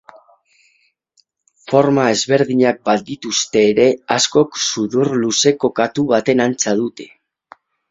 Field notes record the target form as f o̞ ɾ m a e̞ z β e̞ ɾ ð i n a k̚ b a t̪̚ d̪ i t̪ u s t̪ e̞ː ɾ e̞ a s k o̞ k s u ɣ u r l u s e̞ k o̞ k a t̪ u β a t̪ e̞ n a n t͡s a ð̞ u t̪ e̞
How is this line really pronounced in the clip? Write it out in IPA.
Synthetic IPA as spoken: f o̞ ɾ m a e̞ z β e̞ ɾ ð i ɲ a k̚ b a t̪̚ d̪ i t̪ u s t̪ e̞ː ɾ e̞ a s k o̞ k s u ð u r l u s e̞ k o̞ k a t̪ u β a t̪ e̞ n a n t͡s a ð̞ u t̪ e̞